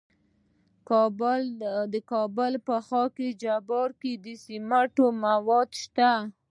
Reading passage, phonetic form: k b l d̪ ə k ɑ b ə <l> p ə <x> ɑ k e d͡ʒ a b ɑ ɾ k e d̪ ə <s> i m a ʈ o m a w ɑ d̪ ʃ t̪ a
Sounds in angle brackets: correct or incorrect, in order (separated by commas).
correct, correct, correct